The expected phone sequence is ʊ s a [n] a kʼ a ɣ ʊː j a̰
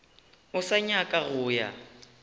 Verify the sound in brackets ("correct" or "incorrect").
incorrect